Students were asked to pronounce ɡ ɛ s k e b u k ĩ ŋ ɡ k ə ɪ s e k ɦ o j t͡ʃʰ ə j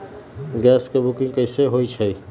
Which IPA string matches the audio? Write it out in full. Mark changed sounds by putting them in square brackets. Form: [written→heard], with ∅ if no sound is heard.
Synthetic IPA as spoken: ɡ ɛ s k e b u k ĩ ŋ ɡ k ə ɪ s e [k→∅] ɦ o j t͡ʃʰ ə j